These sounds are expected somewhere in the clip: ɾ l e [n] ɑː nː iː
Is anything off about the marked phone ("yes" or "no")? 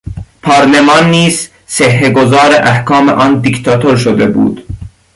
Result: yes